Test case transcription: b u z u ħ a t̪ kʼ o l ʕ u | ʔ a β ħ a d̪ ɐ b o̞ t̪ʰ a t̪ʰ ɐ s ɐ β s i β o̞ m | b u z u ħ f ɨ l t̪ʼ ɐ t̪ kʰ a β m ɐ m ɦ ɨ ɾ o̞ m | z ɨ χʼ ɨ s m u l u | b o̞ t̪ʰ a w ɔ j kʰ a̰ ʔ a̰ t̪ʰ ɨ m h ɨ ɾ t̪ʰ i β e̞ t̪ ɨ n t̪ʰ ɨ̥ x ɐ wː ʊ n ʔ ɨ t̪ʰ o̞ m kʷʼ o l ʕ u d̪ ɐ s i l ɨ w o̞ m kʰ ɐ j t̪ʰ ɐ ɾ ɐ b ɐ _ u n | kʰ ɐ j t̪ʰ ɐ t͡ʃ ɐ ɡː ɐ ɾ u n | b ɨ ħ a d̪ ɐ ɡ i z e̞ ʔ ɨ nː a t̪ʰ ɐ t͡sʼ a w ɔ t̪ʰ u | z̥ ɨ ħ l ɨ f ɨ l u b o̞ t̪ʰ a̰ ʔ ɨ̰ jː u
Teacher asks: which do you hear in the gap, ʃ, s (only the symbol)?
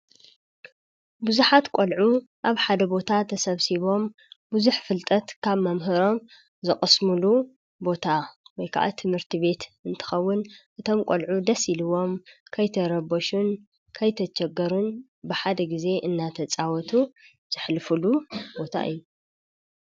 ʃ